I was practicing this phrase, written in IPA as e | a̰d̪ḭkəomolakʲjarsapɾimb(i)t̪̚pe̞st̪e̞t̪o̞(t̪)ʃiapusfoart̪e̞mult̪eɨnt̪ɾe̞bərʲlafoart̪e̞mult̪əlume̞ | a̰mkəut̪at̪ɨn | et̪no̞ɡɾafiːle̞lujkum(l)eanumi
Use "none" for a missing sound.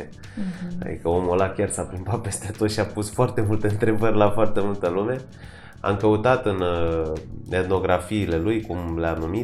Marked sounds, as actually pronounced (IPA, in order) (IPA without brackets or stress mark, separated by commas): a, t̪, l